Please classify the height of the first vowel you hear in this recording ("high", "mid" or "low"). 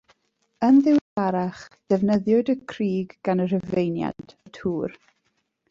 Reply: mid